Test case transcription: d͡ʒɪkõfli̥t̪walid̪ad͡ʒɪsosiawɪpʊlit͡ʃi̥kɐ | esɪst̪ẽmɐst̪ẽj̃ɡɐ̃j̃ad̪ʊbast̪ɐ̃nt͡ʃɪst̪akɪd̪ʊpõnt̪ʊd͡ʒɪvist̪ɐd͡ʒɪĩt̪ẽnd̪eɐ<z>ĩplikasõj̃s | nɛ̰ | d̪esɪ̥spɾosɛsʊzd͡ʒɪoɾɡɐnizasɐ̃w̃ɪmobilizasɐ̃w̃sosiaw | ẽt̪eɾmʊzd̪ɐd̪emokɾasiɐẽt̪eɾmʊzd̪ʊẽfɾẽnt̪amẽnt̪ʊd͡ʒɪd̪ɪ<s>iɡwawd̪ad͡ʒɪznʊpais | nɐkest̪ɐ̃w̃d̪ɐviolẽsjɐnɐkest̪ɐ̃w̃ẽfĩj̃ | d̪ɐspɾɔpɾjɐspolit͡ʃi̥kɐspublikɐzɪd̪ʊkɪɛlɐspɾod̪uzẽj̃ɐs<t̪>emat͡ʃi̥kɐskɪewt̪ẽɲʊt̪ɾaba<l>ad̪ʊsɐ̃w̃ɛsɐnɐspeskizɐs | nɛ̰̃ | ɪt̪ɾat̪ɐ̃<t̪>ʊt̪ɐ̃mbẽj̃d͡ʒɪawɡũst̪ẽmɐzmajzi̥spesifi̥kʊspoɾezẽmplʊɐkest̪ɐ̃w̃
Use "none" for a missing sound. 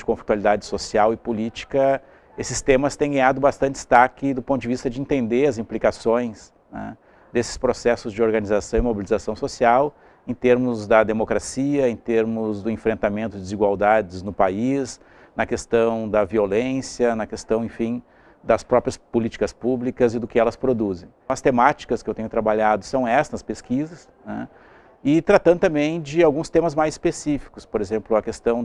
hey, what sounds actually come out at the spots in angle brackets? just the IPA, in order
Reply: z, z, t̪, ʎ, d̪

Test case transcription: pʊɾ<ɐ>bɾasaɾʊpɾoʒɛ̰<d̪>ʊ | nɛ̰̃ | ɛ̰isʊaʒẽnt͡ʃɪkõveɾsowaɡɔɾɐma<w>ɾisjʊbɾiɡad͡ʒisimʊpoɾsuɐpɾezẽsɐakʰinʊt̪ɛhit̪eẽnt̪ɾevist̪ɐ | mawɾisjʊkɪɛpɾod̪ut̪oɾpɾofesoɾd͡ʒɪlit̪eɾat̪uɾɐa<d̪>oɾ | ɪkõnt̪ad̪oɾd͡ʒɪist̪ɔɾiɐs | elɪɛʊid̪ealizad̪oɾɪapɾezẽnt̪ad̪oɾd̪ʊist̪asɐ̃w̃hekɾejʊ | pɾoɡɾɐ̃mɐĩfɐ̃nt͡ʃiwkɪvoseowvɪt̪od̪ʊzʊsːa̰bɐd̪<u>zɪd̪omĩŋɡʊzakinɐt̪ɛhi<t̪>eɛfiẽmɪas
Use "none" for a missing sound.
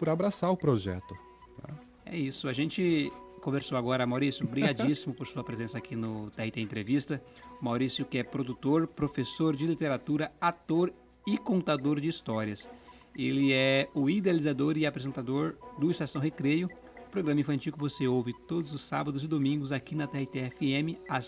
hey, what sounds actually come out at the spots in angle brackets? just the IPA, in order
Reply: a, t̪, w, t̪, ʊ, t̪

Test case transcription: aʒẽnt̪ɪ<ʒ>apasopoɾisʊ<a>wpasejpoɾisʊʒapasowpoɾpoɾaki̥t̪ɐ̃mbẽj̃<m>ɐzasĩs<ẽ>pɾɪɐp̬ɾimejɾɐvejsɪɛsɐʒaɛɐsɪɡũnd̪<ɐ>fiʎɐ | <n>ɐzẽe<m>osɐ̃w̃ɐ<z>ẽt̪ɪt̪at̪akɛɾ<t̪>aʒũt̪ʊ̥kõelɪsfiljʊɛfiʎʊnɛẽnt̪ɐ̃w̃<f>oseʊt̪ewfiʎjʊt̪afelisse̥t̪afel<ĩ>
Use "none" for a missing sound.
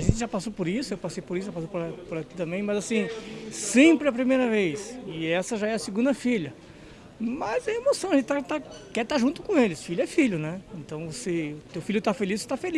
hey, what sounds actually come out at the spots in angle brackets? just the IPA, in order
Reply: ʒ, e, m, ẽ, ɐ, m, m, ʒ, t̪, v, i

